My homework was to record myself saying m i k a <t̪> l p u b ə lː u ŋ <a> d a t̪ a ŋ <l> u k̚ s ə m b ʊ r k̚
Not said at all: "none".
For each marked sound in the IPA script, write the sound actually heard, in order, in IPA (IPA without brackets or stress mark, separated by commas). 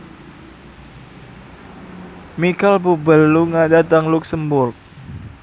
none, a, l